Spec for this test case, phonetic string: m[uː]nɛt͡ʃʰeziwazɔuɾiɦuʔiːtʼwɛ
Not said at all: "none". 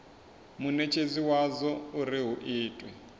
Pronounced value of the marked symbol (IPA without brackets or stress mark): u